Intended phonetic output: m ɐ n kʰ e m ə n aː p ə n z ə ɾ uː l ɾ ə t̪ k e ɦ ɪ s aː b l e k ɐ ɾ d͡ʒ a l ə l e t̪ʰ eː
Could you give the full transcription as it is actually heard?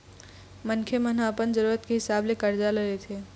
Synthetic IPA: m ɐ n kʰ e m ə n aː p ə n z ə ɾ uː ɾ ə t̪ k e ɦ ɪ s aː b l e k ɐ ɾ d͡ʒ a l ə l e t̪ʰ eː

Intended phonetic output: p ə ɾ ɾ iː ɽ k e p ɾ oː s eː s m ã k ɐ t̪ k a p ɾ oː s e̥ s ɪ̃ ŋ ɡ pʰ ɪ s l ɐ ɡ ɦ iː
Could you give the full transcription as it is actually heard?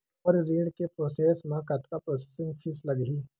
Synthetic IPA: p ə ɾ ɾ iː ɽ k e p ɾ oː s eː s m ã k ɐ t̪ k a p ɾ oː s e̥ s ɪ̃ ŋ ɡ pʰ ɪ s l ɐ ɡ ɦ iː

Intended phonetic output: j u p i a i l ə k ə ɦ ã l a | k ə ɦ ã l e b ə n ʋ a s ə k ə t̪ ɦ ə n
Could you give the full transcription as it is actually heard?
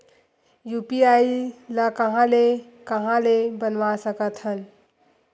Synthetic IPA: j u p i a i l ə k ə ɦ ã l e | k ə ɦ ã l e b ə n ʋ a s ə k ə t̪ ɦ ə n

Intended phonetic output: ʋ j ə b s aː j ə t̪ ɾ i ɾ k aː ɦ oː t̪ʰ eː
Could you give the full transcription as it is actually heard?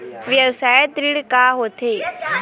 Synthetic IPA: ʋ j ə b s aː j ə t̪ ɾ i ɽ k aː ɦ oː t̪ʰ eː

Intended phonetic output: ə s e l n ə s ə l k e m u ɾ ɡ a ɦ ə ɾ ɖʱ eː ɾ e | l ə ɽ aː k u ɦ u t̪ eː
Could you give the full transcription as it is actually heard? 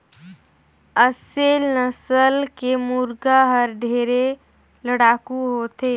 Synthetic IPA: ə s e l n ə s ə l k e m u ɾ ɡ a ɦ ə ɾ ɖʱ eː ɾ e | l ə ɽ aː k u ɦ o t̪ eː

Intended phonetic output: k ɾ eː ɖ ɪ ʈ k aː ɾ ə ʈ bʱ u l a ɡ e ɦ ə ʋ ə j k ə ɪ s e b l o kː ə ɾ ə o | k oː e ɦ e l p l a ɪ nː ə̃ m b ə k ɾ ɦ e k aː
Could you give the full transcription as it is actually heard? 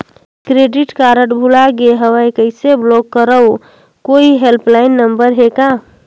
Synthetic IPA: k ɾ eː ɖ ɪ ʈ k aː ɾ ə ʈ bʱ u l a ɡ e ɦ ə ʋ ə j k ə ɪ s e b l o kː ə ɾ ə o | k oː i ɦ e l p l a ɪ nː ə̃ m b ə ɾ ɦ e k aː

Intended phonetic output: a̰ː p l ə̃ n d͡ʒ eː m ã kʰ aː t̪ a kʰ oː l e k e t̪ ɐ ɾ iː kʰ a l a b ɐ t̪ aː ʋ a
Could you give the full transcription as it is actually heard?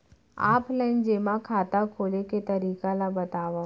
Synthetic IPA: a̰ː p l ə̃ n d͡ʒ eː m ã kʰ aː t̪ a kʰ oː l e k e t̪ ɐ ɾ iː k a l a b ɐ t̪ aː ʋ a

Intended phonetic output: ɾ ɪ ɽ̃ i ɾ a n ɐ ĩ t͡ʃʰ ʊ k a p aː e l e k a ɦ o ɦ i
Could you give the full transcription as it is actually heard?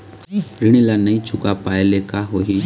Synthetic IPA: ɾ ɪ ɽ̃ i l a n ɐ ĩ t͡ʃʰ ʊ k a p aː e l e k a ɦ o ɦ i

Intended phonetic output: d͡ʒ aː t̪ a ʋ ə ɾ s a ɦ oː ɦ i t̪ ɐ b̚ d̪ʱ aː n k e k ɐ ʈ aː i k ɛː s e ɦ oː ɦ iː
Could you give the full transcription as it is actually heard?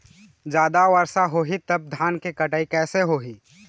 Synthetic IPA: d͡ʒ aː d̪ a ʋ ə ɾ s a ɦ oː ɦ i t̪ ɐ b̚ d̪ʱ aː n k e k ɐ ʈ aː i k ɛː s e ɦ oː ɦ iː

